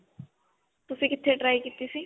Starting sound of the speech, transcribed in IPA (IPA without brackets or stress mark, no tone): t̪